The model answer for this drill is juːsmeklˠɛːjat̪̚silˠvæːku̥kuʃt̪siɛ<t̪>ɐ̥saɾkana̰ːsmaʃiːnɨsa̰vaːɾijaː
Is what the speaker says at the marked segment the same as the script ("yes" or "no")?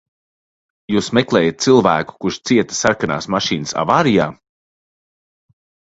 yes